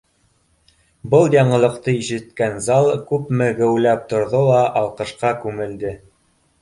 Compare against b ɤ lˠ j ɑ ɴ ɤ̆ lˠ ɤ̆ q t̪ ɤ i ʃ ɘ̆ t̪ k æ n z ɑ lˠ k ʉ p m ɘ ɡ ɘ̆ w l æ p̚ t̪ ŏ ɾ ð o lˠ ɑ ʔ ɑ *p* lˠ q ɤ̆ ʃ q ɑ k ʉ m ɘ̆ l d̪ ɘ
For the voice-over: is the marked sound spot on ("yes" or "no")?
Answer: no